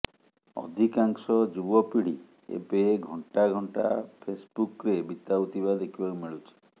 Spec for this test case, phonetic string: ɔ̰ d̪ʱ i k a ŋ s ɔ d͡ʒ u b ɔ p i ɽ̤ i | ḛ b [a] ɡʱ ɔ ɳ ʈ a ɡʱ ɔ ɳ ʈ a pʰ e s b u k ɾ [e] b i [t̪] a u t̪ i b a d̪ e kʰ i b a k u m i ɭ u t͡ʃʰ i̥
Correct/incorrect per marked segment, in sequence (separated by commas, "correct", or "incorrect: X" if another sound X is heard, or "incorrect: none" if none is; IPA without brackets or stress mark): incorrect: e, correct, correct